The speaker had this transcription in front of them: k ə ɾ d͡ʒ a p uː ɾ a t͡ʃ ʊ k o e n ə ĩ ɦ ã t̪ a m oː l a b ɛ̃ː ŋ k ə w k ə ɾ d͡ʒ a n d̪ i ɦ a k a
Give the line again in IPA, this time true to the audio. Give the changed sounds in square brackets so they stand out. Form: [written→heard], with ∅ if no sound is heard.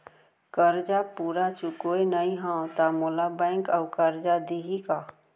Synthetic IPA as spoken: k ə ɾ d͡ʒ a p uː ɾ a t͡ʃ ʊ k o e n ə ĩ ɦ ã t̪ a m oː l a b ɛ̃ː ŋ k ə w k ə ɾ d͡ʒ a [n→∅] d̪ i ɦ [a→i] k a